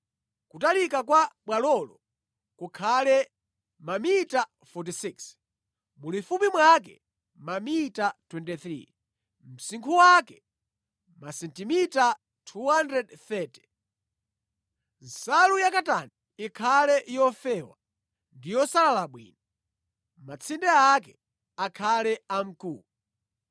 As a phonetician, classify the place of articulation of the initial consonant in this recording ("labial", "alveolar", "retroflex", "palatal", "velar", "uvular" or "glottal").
velar